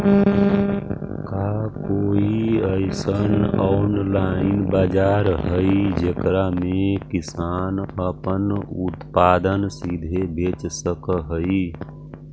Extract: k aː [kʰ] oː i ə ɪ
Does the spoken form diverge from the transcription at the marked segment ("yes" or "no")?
yes